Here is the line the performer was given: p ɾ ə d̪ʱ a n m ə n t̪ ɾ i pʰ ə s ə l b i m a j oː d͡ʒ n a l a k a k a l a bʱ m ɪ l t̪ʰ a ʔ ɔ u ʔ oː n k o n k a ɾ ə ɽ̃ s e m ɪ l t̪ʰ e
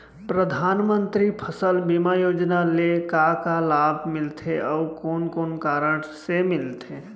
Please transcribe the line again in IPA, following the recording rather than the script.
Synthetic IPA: p ɾ ə d̪ʱ a n m ə n t̪ ɾ i pʰ ə s ə l b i m a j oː d͡ʒ n a l e k a k a l a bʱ m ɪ l t̪ʰ e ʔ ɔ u k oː n k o n k a ɾ ə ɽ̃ s e m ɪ l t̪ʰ e